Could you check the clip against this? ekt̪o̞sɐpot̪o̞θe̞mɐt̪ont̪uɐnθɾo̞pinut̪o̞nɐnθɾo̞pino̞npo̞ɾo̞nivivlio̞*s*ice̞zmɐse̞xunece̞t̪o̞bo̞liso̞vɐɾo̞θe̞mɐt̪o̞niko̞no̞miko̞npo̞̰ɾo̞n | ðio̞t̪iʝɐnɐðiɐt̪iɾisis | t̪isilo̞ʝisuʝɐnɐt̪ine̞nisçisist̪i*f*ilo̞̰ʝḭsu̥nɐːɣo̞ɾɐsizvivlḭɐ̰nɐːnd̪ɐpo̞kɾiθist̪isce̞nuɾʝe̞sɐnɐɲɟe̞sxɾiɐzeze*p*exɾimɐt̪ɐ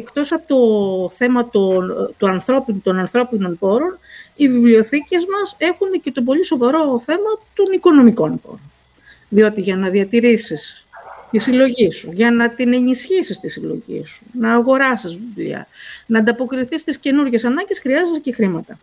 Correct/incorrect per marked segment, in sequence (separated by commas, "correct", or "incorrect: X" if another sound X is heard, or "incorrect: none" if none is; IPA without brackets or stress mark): incorrect: θ, incorrect: s, incorrect: c